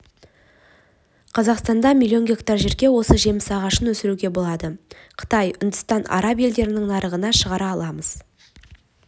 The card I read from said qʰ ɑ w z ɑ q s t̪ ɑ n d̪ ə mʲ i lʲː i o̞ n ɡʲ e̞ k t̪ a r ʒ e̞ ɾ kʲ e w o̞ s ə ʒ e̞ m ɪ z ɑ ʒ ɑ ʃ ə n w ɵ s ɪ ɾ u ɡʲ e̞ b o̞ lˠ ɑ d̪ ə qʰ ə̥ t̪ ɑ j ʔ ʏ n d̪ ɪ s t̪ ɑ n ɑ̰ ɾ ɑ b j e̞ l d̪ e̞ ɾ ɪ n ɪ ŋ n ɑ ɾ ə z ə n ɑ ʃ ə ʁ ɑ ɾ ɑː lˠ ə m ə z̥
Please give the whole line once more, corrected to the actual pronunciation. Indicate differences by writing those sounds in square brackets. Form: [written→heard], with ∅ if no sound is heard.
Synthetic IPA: qʰ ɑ [w→∅] z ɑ q s t̪ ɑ n d̪ [ə→ɑ] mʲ i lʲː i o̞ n ɡʲ e̞ k t̪ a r ʒ e̞ ɾ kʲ e w o̞ s ə ʒ e̞ m ɪ [z→s] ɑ [ʒ→ʁ] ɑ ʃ ə n w ɵ s ɪ ɾ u ɡʲ e̞ b o̞ lˠ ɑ d̪ ə qʰ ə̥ t̪ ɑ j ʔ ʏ n d̪ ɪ s t̪ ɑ n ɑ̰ ɾ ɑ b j e̞ l d̪ e̞ ɾ ɪ n ɪ ŋ n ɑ ɾ ə [z→ʁ] ə n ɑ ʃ ə ʁ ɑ ɾ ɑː lˠ [ə→ɑ] m ə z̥